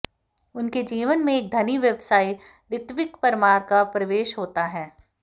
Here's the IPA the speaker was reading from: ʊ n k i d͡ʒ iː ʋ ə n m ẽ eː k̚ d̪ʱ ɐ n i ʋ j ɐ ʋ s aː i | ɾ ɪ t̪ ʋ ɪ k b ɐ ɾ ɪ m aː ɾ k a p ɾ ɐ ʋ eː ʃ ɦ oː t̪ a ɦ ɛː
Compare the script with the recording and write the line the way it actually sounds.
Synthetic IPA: ʊ n k e d͡ʒ iː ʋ ə n m ẽ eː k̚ d̪ʱ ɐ n i ʋ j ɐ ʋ s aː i | ɾ ɪ t̪ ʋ ɪ k p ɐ ɾ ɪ m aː ɾ k a p ɾ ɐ ʋ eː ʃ ɦ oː t̪ a ɦ ɛː